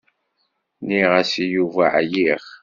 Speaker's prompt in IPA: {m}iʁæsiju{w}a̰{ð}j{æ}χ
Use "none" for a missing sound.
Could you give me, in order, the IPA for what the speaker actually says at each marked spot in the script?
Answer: n, v, ʕ, i

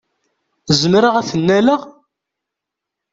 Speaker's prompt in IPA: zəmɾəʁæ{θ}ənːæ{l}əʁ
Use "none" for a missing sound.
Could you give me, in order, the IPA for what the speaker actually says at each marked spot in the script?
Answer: θ, l

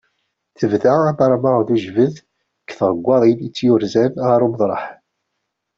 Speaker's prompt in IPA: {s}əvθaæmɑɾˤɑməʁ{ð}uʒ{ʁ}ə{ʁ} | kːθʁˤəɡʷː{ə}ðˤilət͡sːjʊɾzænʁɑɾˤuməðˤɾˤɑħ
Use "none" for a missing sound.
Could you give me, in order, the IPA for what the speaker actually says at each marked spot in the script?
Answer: θ, ð, v, ð, ɑ

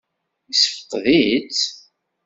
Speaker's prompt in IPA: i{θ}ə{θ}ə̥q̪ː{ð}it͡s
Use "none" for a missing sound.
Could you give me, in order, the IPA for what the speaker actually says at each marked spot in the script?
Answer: s, f, ð

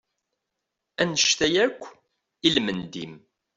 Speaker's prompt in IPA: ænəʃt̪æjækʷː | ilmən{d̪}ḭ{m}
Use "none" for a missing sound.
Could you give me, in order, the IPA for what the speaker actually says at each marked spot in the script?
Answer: d̪, m

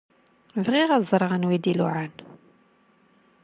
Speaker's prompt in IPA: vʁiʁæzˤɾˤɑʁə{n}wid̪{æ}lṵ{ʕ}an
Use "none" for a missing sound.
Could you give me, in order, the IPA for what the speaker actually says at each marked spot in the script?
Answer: n, i, ʕ

